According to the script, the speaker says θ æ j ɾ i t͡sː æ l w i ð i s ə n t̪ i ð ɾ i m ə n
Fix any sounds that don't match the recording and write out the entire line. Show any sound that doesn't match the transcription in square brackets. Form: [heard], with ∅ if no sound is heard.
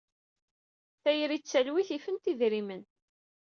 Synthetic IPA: θ æ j ɾ i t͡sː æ l w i [θ] i [f] ə n t̪ i ð ɾ i m ə n